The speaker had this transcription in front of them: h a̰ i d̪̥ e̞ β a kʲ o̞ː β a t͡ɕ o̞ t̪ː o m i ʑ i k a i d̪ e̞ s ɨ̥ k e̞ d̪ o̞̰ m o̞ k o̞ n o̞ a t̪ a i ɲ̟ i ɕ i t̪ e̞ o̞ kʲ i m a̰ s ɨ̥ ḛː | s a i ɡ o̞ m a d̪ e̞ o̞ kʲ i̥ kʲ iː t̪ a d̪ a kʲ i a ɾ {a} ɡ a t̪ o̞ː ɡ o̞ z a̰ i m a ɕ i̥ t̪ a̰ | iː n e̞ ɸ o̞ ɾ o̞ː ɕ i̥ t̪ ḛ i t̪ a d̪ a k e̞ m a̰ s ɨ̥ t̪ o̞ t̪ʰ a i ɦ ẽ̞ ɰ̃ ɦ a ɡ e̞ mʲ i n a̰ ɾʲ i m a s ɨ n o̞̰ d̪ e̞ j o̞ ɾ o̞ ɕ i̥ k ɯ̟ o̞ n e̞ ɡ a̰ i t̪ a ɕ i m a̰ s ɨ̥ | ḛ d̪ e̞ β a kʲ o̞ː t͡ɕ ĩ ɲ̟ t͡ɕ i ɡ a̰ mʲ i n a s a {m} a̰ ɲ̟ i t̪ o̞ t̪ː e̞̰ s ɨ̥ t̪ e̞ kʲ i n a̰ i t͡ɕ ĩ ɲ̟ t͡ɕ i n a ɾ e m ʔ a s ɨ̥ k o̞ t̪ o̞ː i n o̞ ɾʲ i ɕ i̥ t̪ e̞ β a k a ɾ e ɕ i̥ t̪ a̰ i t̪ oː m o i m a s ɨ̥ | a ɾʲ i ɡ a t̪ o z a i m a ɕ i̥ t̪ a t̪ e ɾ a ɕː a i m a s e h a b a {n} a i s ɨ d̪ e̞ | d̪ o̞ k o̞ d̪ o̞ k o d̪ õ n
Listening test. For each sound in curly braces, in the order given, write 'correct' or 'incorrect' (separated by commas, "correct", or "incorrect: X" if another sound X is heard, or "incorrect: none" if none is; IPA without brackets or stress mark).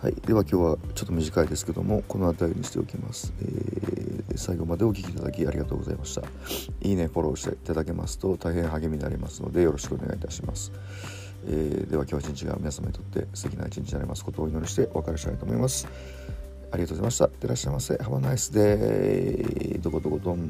incorrect: i, correct, correct